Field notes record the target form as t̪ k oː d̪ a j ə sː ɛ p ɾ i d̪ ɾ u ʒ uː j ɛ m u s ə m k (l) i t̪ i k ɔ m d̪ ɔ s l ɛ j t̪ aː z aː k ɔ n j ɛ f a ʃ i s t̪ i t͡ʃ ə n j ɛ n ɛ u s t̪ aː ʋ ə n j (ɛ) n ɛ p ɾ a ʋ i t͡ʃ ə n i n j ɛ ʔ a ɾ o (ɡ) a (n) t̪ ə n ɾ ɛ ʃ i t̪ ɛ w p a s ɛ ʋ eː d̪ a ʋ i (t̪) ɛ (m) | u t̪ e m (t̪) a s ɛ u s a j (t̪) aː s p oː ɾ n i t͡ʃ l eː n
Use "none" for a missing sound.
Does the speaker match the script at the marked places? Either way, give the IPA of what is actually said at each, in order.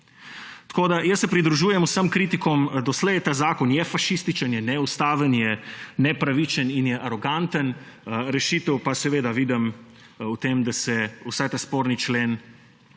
ɾ, ɛ, ɡ, n, d̪, m, d̪, t̪

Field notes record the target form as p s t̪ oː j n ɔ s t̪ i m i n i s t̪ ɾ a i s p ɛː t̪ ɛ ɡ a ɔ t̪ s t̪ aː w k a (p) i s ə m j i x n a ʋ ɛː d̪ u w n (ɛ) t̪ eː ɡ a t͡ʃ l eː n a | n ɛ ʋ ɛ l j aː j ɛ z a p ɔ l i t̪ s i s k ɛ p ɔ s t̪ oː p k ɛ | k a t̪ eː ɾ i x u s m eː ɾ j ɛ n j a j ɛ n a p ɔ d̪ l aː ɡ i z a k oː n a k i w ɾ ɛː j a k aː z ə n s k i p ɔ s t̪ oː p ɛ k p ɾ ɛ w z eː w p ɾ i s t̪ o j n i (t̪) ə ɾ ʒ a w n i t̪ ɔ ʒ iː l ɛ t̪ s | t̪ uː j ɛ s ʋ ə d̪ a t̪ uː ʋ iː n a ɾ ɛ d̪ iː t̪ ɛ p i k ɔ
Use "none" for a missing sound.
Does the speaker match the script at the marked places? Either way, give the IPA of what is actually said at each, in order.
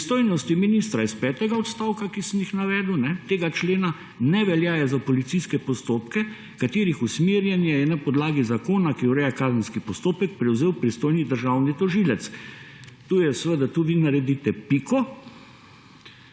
k, ɛ, d̪

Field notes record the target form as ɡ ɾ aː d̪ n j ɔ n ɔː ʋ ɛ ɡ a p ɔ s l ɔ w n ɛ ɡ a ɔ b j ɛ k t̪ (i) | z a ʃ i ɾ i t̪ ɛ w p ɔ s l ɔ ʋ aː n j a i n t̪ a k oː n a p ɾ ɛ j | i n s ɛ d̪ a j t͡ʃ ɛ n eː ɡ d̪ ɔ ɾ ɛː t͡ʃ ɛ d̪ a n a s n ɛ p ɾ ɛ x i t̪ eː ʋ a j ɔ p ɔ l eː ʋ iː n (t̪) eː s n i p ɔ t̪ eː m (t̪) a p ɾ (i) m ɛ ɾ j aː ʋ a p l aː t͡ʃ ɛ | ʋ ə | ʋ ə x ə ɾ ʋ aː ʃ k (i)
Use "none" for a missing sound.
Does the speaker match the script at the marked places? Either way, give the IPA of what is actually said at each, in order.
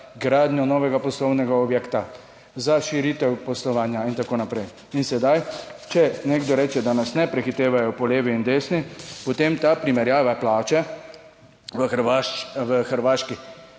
a, d̪, t̪, i, i

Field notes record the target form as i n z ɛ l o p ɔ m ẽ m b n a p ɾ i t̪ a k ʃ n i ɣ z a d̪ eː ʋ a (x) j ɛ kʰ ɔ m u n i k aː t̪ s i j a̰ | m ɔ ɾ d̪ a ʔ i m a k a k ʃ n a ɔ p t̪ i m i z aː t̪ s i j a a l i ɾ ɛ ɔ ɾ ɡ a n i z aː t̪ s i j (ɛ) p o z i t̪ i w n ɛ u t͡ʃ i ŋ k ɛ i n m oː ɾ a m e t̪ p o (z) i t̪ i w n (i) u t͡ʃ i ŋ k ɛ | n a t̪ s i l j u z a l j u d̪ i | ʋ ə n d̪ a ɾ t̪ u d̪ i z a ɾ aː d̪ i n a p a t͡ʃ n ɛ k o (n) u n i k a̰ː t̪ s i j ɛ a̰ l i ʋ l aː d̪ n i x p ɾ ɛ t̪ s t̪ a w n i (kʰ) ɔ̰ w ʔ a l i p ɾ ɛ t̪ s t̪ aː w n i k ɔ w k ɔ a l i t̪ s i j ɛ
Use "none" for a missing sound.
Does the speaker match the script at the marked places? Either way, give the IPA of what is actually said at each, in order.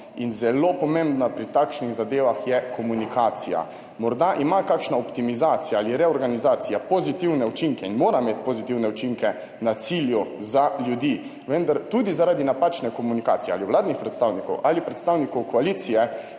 x, a, z, ɛ, m, k

